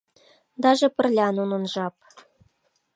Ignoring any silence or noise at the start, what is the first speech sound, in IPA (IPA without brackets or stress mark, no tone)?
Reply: d̪